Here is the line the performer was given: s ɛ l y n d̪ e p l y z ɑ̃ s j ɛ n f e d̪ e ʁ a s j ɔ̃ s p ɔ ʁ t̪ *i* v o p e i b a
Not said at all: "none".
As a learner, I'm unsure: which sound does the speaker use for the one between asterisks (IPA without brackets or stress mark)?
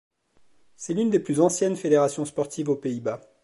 i